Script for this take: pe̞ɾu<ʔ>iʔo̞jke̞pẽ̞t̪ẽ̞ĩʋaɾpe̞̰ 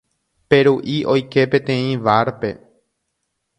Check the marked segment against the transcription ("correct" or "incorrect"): correct